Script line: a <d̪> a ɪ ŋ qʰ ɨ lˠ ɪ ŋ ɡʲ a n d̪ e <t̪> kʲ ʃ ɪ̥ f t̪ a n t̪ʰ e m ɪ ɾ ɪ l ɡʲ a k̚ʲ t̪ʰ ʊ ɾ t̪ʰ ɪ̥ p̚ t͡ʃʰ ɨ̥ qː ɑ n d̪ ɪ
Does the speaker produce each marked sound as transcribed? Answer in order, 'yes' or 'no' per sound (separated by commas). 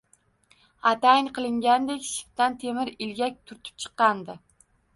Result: no, no